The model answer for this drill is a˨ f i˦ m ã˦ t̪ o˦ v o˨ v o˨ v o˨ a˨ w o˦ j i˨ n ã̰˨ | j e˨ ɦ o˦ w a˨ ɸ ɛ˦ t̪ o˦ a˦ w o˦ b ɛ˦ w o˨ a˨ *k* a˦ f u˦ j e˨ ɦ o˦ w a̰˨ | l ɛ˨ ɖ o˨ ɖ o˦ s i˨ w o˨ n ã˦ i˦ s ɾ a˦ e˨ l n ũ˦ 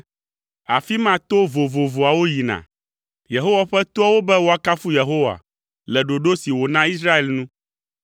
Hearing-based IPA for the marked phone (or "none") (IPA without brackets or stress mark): k